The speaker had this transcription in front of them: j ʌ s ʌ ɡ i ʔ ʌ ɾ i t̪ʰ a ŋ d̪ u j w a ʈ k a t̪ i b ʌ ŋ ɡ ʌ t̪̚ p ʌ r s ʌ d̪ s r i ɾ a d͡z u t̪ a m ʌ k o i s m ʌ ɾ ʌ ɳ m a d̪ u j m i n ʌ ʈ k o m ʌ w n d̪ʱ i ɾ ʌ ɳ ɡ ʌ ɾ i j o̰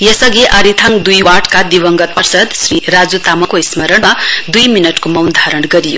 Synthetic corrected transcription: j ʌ s ʌ ɡ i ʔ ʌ ɾ i t̪ʰ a ŋ d̪ u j w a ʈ k a d̪ i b ʌ ŋ ɡ ʌ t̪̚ p ʌ r s ʌ d̪ s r i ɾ a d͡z u t̪ a m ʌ k o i s m ʌ ɾ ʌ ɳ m a d̪ u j m i n ʌ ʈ k o m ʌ w n d̪ʱ a ɾ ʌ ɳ ɡ ʌ ɾ i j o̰